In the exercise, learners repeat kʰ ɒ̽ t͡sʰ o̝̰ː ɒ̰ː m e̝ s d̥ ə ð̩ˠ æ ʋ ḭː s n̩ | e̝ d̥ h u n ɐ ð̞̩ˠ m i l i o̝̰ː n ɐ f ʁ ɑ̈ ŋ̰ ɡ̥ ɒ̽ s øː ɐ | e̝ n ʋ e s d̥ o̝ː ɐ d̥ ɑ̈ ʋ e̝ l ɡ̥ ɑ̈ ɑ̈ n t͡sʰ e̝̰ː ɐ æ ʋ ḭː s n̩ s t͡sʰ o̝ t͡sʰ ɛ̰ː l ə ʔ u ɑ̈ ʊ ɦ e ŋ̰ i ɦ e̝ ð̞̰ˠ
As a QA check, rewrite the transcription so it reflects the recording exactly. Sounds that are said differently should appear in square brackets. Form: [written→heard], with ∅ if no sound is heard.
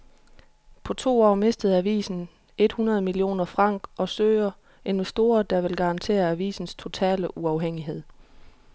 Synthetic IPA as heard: [kʰ→pʰ] ɒ̽ t͡sʰ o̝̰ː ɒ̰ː m e̝ s d̥ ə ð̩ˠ æ ʋ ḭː s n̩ | e̝ d̥ h u n ɐ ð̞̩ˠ m i l i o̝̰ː n ɐ f ʁ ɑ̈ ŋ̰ ɡ̥ ɒ̽ s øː ɐ | e̝ n ʋ e s d̥ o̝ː ɐ d̥ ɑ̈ ʋ e̝ l ɡ̥ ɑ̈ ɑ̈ n t͡sʰ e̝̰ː ɐ æ ʋ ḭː s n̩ s t͡sʰ o̝ t͡sʰ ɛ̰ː l ə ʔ u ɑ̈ ʊ ɦ e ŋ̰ i ɦ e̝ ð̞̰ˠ